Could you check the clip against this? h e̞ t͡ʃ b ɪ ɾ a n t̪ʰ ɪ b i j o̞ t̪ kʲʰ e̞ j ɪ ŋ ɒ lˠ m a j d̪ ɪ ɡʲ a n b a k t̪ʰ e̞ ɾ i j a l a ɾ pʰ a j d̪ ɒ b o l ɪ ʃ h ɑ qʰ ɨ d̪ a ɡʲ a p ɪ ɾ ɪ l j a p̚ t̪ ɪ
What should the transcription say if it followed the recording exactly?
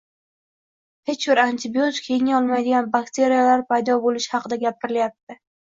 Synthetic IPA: h e̞ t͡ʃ b ɪ ɾ a n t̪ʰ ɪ b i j o̞ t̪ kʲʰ e̞ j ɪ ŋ ɒ lˠ m a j d̪ ɪ ɡʲ a n b a k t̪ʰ e̞ ɾ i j a l a ɾ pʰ a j d̪ ɒ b o l ɪ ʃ h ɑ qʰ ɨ d̪ a ɡʲ a p ɪ ɾ ɪ l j a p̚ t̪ ɪ